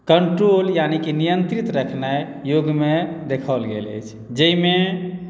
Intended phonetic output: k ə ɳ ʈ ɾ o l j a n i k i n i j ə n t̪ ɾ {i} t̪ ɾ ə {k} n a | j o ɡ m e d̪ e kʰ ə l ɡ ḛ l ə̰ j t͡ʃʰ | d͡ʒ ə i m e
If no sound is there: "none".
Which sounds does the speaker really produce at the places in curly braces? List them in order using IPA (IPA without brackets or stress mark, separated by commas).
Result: i, kʰ